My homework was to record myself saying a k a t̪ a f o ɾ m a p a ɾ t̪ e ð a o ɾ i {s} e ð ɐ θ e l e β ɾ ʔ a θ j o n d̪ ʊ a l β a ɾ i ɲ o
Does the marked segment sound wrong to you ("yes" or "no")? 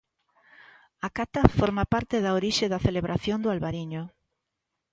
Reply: yes